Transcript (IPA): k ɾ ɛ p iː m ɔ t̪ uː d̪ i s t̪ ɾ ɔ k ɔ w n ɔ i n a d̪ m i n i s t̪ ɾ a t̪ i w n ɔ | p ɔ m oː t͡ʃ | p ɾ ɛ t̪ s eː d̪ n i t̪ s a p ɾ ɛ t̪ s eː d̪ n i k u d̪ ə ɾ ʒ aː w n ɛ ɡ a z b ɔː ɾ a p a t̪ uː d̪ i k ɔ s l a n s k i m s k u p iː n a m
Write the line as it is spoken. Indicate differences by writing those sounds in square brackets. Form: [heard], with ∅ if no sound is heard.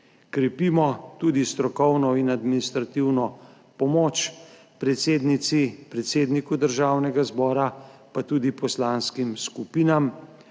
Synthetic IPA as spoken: k ɾ ɛ p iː m ɔ t̪ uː d̪ i s t̪ ɾ ɔ k ɔ w n ɔ i n a d̪ m i n i s t̪ ɾ a t̪ i w n ɔ | p ɔ m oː t͡ʃ | p ɾ ɛ t̪ s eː d̪ n i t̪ s [i] p ɾ ɛ t̪ s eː d̪ n i k u d̪ ə ɾ ʒ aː w n ɛ ɡ a z b ɔː ɾ a p a t̪ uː d̪ i [p] ɔ s l a n s k i m s k u p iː n a m